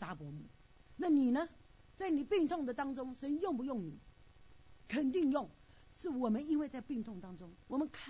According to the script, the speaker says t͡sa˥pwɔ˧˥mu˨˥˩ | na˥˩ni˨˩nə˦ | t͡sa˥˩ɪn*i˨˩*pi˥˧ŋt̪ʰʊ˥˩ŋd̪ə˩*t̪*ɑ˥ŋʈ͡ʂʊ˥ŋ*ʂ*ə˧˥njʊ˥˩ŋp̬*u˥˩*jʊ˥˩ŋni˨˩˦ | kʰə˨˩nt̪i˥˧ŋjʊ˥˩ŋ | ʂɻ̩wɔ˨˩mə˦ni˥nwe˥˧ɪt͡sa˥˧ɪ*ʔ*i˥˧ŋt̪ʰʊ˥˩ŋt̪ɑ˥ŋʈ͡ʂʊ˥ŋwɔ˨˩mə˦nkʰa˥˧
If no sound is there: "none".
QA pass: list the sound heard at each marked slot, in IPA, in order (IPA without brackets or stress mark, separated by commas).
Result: i˨˩, t̪, ʂ, u˧˦, p